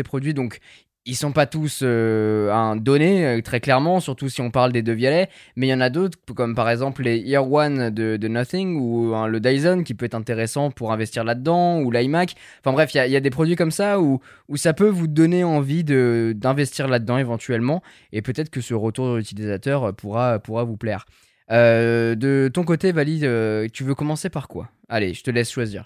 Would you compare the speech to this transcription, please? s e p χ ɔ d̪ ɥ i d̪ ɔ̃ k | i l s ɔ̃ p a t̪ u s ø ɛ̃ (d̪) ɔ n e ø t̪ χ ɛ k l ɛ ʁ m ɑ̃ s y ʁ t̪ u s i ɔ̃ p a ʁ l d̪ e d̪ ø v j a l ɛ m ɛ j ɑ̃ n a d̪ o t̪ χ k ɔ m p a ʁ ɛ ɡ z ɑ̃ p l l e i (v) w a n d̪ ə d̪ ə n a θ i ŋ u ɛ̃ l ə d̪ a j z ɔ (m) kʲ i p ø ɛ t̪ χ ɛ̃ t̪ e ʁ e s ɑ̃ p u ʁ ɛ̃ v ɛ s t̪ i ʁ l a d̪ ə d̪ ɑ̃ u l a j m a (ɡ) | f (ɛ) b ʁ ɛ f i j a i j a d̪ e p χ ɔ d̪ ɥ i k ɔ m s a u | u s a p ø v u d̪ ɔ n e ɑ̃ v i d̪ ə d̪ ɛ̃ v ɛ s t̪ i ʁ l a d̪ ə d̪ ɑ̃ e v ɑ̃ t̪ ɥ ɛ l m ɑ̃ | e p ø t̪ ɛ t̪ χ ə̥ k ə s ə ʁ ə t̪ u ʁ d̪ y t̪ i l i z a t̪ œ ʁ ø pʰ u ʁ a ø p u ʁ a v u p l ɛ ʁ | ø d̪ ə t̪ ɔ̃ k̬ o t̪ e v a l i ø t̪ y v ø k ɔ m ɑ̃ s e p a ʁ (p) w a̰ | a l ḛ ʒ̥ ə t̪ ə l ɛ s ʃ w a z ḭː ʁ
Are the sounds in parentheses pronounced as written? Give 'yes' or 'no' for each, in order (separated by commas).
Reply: yes, no, no, no, no, no